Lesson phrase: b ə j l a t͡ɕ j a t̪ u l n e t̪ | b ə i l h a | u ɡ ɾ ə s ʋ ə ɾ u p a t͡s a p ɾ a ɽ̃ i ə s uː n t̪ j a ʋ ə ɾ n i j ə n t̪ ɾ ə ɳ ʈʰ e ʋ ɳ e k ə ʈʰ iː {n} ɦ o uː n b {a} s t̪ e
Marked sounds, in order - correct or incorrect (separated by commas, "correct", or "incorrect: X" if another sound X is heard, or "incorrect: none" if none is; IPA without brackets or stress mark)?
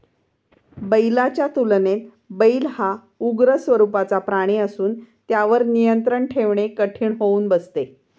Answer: incorrect: ɳ, incorrect: ə